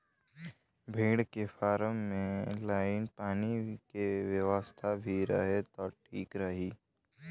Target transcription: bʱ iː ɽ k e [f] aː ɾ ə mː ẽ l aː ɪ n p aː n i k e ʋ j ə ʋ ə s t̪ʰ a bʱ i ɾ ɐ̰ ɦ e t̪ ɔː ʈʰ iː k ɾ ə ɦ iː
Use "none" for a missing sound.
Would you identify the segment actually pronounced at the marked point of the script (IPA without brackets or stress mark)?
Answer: f